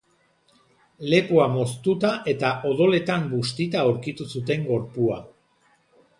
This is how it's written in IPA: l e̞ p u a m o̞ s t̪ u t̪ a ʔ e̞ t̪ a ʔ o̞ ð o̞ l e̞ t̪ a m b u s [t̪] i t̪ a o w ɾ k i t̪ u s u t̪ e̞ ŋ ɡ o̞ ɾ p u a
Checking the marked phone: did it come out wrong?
no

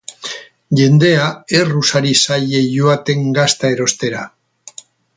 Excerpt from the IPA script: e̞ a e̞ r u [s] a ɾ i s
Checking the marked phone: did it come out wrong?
no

